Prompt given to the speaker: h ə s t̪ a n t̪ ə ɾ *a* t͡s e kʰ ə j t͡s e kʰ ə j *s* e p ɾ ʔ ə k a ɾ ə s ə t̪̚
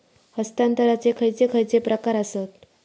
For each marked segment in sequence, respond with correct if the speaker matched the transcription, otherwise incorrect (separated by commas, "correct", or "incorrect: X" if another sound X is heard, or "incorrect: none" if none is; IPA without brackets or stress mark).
correct, incorrect: t͡s